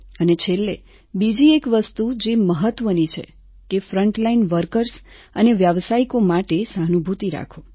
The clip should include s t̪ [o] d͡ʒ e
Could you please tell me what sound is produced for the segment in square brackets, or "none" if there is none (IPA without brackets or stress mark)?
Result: u